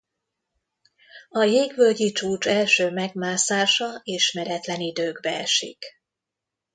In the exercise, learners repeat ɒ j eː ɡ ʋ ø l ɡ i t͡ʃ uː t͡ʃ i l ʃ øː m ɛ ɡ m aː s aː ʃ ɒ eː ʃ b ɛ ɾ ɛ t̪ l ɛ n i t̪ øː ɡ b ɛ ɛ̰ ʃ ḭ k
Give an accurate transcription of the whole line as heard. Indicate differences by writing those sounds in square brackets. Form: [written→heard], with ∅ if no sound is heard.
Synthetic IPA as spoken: ɒ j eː ɡ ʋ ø l [ɡ→ɟ] i t͡ʃ uː t͡ʃ [i→ɛ] l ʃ øː m ɛ ɡ m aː s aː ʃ ɒ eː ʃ [b→m] ɛ ɾ ɛ t̪ l ɛ n i [t̪→d̪] øː ɡ b ɛ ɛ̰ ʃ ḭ k